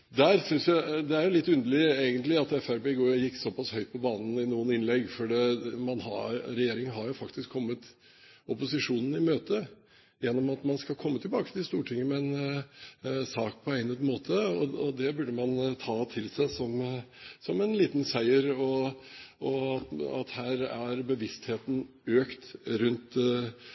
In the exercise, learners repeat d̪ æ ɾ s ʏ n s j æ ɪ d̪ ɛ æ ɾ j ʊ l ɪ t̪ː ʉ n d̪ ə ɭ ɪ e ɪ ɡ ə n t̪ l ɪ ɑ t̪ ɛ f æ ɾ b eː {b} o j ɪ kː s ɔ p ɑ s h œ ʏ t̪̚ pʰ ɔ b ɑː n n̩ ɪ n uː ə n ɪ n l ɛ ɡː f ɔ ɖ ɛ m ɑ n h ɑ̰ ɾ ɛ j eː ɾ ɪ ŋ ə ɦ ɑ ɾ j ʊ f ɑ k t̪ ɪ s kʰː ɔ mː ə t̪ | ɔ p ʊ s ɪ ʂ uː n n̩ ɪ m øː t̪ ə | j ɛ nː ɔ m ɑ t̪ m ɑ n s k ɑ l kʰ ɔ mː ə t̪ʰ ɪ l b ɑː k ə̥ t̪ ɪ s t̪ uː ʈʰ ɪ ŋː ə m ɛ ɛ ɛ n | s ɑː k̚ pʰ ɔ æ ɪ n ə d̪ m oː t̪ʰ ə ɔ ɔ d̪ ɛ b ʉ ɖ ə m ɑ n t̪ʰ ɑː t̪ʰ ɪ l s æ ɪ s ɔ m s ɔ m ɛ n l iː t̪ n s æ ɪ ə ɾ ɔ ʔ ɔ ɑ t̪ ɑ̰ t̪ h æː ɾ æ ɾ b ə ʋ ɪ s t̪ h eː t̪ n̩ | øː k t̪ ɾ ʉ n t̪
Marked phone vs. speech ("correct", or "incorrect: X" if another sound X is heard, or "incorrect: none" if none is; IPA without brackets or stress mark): incorrect: ɡ